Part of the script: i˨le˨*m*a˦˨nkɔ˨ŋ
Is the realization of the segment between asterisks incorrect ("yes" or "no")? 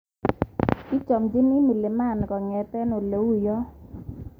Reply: no